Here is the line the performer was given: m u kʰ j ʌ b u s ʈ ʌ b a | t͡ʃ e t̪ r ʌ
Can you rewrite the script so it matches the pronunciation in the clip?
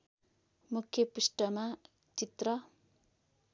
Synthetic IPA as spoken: m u kʰ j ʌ p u s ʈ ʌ m a | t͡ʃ i t̪ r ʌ

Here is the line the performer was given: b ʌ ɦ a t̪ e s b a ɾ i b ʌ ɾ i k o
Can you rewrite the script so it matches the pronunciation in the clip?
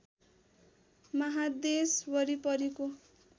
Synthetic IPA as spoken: m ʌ ɦ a d̪ e s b ʌ ɾ i p ʌ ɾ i k o

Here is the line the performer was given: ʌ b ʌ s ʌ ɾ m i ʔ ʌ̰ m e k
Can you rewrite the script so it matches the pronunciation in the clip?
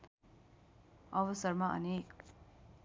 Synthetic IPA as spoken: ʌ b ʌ s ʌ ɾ m a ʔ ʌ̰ n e k

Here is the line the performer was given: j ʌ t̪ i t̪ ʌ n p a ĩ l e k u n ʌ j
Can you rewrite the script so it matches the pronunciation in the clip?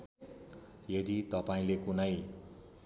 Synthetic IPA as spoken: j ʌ d̪ i t̪ ʌ p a ĩ l e k u n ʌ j

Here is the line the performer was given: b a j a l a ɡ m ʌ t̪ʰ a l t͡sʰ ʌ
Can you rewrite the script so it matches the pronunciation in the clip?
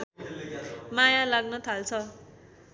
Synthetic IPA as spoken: m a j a l a ɡ n ʌ t̪ʰ a l t͡sʰ ʌ

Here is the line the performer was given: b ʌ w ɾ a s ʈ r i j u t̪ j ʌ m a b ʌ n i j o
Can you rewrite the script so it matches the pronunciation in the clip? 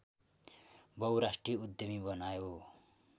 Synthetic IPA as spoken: b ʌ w ɾ a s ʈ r i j u d̪ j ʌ m i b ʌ n a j o

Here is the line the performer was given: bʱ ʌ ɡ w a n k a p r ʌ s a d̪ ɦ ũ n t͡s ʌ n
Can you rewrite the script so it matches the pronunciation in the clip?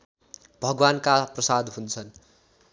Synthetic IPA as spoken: bʱ ʌ ɡ w a n k a p r ʌ s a d̪ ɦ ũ n t͡sʰ ʌ n

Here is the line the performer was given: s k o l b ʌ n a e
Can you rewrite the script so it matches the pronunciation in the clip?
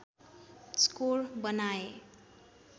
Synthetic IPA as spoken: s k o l b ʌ n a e

